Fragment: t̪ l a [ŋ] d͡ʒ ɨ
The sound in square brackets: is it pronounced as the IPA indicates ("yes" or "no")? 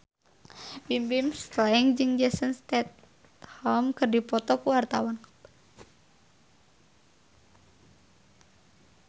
yes